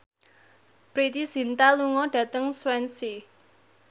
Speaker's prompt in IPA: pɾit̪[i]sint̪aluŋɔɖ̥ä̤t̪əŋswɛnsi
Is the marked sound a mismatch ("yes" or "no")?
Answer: no